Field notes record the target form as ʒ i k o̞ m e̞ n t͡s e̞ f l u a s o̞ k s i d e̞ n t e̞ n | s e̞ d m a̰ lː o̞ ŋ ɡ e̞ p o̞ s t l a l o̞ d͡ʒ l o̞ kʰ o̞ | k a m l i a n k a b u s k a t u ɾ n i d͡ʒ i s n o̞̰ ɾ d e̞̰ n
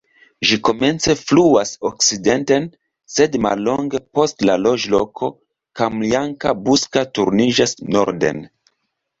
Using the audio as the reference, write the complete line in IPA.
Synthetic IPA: ʒ i k o̞ m e̞ n t͡s e̞ f l u a s o̞ k s i d e̞ n t e̞ n | s e̞ d m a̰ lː o̞ ŋ ɡ e̞ p o̞ s t l a l o̞ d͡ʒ l o̞ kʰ o̞ | k a m l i a ŋ k a b u s k a t u ɾ n i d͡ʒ a s n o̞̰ ɾ d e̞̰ n